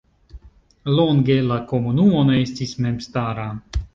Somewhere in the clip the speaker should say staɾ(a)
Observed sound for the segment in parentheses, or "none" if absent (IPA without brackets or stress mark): a